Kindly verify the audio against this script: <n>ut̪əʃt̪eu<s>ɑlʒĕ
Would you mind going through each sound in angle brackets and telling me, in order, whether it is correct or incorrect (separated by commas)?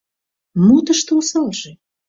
incorrect, correct